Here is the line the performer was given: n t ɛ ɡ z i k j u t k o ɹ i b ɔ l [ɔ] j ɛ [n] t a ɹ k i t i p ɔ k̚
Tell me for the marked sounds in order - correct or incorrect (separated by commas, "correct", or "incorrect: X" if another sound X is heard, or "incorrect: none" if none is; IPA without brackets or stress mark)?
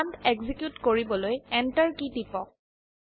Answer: incorrect: o, correct